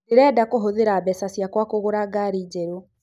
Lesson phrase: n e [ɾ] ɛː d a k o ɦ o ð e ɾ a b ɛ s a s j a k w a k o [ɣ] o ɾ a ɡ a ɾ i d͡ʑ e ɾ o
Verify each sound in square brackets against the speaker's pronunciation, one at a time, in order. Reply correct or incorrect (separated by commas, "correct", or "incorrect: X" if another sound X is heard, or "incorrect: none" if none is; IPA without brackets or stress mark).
correct, correct